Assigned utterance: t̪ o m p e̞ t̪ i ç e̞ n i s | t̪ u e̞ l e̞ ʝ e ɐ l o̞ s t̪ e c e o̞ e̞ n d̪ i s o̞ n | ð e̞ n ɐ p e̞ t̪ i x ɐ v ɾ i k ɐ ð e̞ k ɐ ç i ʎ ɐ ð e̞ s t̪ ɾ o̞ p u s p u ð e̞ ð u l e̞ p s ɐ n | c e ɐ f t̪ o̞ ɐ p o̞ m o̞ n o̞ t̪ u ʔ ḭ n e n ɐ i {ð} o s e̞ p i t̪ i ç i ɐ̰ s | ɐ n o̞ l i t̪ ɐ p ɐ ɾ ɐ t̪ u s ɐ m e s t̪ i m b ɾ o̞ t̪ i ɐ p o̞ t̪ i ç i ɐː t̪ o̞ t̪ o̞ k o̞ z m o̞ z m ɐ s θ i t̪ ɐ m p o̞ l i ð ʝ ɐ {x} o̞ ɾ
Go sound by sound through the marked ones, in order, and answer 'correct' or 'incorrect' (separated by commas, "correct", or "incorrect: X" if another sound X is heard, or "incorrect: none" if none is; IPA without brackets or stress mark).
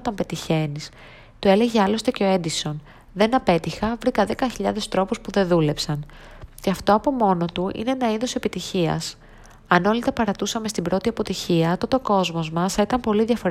correct, incorrect: f